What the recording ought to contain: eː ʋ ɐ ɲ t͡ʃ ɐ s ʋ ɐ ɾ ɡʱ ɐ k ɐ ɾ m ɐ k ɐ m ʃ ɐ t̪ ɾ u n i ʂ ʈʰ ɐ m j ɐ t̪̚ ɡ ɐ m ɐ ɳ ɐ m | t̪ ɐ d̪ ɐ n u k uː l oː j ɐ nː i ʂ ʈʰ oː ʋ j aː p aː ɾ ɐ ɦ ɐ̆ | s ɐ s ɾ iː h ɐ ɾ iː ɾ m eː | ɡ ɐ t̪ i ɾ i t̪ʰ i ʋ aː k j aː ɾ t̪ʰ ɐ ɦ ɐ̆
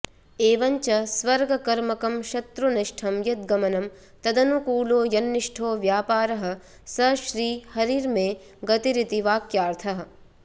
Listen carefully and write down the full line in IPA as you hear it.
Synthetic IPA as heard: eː ʋ ɐ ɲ t͡ʃ ɐ s ʋ ɐ ɾ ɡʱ ɐ k ɐ ɾ m ɐ k ɐ m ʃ ɐ t̪ ɾ u n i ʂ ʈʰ ɐ m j ɐ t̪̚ ɡ ɐ m ɐ n ɐ m | t̪ ɐ d̪ ɐ n u k uː l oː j ɐ nː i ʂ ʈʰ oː ʋ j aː p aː ɾ ɐ ɦ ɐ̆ | s ɐ ʃ ɾ iː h ɐ ɾ iː ɾ m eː | ɡ ɐ t̪ i ɾ i t̪ i ʋ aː k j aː ɾ t̪ʰ ɐ ɦ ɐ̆

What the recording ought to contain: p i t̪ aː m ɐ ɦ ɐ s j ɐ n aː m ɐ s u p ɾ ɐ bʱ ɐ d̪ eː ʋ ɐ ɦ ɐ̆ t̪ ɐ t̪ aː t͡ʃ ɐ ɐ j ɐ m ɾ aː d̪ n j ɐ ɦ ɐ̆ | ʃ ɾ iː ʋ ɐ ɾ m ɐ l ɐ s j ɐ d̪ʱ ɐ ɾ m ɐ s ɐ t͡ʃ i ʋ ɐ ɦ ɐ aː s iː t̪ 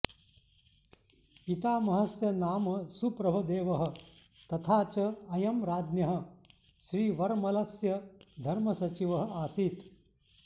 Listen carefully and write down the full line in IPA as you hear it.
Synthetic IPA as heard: p i t̪ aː m ɐ ɦ ɐ s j ɐ n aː m ɐ s u p ɾ ɐ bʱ ɐ d̪ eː ʋ ɐ ɦ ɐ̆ t̪ ɐ t̪ʰ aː t͡ʃ ɐ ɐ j ɐ m ɾ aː d̪ n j ɐ ɦ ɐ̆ | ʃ ɾ iː ʋ ɐ ɾ m ɐ l ɐ s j ɐ d̪ʱ ɐ ɾ m ɐ s ɐ t͡ʃ i ʋ ɐ ɦ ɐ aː s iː t̪

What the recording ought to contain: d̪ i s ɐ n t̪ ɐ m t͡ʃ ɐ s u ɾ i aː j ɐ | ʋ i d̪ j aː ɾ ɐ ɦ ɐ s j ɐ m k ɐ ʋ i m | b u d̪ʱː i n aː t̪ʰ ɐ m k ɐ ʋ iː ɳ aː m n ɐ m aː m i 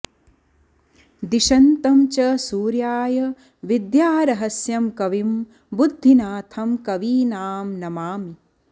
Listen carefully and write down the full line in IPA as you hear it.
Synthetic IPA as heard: d̪ i ʃ ɐ n t̪ ɐ m t͡ʃ ɐ s uː ɾ j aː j ɐ | ʋ i d̪ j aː ɾ ɐ ɦ ɐ s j ɐ m k ɐ ʋ i m | b u d̪ʱː i n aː t̪ʰ ɐ m k ɐ ʋ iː n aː m n ɐ m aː m i

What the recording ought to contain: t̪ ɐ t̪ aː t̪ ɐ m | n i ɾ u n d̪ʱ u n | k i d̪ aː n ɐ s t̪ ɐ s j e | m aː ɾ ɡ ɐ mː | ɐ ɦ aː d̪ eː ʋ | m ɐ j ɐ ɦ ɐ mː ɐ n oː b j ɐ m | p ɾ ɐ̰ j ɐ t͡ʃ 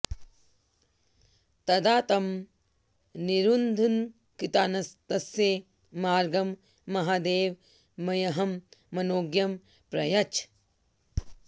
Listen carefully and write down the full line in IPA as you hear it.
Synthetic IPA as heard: t̪ ɐ d̪ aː t̪ ɐ m | n i ɾ u n d̪ʱ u n | k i t̪ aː n ɐ s t̪ ɐ s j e | m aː ɾ ɡ ɐ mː | ɐ ɦ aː d̪ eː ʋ | m ɐ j ɐ ɦ ɐ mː ɐ n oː ɡ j ɐ m | p ɾ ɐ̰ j ɐ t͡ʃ

